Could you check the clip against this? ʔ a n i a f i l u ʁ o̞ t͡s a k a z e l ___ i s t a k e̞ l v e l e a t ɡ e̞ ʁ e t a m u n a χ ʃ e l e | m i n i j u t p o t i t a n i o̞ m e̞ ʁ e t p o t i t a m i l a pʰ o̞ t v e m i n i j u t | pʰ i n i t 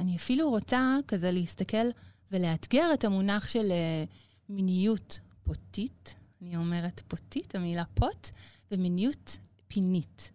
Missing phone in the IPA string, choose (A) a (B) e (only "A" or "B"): B